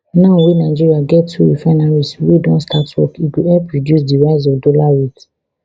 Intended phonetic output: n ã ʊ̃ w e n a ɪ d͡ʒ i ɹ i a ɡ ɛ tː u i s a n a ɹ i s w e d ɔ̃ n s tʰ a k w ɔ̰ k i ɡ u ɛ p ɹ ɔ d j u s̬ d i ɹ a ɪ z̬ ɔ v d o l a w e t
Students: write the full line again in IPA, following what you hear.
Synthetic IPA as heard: n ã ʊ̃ w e n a ɪ d͡ʒ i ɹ i a ɡ ɛ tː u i f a n a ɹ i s w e d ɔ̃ n s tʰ a t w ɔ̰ k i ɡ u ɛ p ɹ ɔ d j u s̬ d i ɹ a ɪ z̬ ɔ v d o l a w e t